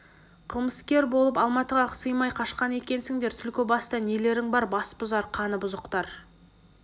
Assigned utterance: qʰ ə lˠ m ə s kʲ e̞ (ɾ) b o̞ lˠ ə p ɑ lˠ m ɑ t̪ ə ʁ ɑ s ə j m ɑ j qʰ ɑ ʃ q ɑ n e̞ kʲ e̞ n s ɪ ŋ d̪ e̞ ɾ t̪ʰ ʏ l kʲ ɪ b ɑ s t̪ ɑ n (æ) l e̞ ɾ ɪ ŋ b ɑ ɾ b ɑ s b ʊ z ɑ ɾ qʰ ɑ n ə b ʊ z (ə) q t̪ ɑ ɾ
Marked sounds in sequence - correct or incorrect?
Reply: correct, incorrect: e, correct

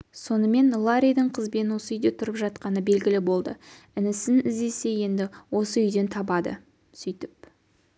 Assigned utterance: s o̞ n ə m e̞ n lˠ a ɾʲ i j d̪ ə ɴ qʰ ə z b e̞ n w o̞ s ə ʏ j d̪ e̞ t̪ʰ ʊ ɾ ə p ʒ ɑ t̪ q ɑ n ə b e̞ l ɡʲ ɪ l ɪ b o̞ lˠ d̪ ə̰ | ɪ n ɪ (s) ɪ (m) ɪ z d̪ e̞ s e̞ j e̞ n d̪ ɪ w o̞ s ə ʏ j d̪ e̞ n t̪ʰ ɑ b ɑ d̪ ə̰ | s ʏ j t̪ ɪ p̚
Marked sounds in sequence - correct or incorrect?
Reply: correct, incorrect: n

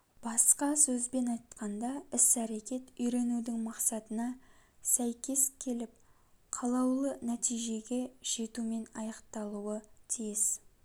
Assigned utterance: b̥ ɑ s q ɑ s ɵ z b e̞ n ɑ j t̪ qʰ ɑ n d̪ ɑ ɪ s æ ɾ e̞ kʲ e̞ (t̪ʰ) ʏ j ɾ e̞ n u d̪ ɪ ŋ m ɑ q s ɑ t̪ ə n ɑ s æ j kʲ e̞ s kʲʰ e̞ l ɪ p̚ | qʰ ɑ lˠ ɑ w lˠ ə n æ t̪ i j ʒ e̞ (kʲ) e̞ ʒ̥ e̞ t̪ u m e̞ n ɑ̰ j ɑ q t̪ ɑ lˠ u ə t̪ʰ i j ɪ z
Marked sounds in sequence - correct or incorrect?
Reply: incorrect: t̪, incorrect: ɡʲ

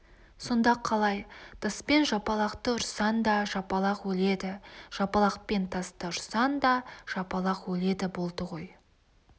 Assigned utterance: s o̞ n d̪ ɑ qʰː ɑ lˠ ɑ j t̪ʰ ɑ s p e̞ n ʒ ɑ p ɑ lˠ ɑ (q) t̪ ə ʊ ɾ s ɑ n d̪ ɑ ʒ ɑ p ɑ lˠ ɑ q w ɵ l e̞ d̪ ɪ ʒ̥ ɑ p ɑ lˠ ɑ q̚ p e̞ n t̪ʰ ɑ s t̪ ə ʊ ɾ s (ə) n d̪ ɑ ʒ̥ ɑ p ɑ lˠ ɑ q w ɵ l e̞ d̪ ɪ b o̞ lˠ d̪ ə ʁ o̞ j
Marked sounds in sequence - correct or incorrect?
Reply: correct, incorrect: ɑ

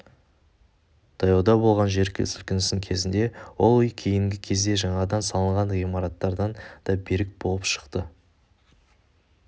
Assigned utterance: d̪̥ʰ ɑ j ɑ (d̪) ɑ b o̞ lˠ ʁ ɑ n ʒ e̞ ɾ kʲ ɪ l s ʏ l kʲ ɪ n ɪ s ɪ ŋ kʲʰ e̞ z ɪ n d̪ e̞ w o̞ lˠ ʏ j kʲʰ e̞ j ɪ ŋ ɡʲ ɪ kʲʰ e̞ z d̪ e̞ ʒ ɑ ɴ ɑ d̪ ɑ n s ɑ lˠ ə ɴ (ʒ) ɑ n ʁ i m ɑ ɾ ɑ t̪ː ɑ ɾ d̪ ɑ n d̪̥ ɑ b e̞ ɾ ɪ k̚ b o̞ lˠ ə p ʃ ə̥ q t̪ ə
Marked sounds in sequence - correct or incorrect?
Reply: correct, incorrect: ʁ

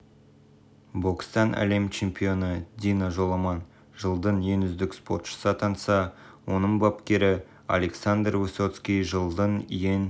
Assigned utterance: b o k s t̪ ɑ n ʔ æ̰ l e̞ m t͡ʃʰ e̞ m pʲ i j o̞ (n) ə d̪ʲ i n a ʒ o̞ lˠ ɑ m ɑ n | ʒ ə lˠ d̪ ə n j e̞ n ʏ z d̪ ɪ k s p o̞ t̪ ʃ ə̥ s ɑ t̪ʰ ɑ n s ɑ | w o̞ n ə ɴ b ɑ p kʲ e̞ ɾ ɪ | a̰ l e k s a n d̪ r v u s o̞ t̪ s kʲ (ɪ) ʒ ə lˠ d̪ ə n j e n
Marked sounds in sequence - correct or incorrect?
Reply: correct, incorrect: i

